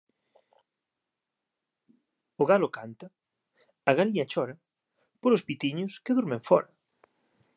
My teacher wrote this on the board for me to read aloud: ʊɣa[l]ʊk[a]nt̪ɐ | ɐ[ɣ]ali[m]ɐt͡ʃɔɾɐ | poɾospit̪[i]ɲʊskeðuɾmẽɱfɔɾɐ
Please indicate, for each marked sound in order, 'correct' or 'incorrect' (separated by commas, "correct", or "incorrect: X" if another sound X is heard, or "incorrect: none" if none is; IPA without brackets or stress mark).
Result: correct, correct, correct, incorrect: ɲ, correct